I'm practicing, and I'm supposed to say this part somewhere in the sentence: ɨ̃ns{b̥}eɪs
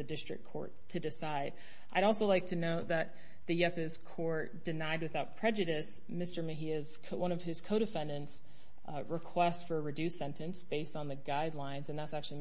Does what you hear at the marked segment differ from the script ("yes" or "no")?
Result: no